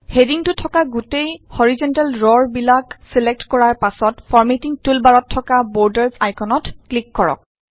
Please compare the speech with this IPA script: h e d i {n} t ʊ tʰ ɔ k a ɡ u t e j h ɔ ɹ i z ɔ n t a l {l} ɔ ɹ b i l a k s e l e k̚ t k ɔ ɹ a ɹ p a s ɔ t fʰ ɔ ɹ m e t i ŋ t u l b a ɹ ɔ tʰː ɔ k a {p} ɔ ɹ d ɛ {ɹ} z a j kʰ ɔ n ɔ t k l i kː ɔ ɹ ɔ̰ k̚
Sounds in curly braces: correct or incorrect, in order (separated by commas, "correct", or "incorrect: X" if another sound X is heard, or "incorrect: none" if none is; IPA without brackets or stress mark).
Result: incorrect: ŋ, incorrect: ɹ, incorrect: b, correct